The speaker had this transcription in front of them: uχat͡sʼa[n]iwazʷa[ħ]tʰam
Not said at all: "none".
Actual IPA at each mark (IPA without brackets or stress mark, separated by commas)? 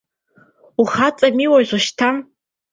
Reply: m, ʃ